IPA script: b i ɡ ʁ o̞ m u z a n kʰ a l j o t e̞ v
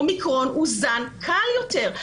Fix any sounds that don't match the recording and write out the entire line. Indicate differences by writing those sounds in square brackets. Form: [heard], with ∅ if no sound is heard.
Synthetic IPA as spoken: [m] i [k] ʁ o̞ [n] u z a n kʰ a l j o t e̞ [ʁ]